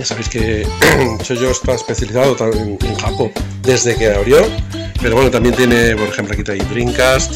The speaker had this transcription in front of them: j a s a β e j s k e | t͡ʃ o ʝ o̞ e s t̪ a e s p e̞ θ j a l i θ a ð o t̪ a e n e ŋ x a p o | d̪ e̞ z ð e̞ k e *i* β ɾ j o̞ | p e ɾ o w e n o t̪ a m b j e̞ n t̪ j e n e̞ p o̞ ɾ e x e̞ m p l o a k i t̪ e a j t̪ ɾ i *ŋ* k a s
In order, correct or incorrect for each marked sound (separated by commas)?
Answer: incorrect, correct